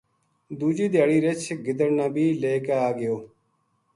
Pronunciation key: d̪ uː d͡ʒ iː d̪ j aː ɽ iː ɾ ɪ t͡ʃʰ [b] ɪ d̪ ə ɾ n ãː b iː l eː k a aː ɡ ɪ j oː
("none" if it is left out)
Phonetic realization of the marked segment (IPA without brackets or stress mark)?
ɡ